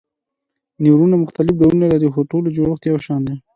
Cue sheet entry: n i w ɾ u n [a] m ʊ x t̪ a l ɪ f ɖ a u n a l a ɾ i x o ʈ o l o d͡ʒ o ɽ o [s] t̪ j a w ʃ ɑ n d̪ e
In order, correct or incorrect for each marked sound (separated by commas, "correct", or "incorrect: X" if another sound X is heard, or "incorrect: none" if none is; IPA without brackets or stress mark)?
correct, incorrect: x